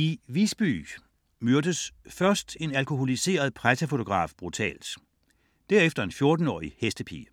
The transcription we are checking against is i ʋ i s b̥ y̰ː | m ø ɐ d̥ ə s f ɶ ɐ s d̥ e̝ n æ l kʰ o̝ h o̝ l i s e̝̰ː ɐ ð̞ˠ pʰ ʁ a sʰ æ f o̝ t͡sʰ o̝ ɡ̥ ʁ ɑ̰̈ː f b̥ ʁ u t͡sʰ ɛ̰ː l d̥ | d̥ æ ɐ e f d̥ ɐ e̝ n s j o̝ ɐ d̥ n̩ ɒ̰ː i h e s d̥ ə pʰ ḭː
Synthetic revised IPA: i ʋ i s b̥ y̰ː | m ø ɐ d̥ ə s f ɶ ɐ s d̥ e̝ n æ l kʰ o̝ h o̝ l i s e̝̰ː ɐ ð̞ˠ pʰ ʁ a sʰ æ f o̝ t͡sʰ o̝ ɡ̥ ʁ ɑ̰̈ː f b̥ ʁ u t͡sʰ ɛ̰ː l d̥ | d̥ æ ɐ e f d̥ ɐ e̝ n f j o̝ ɐ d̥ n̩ ɒ̰ː i h e s d̥ ə pʰ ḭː